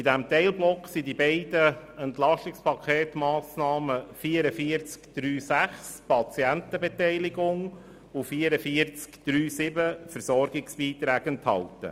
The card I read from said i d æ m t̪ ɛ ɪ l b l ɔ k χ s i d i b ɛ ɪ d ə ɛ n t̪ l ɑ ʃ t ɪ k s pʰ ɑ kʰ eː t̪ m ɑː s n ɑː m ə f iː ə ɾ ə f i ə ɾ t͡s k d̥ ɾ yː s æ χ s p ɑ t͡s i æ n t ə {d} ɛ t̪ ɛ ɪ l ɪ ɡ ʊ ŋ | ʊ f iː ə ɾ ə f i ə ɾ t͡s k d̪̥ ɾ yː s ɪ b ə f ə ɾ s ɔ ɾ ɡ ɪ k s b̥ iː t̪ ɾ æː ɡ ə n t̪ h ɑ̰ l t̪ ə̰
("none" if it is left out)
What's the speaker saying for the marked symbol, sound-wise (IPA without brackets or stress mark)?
b